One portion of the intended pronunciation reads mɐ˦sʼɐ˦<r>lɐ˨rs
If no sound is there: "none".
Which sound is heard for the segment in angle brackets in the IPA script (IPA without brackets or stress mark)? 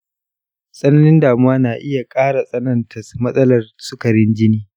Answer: none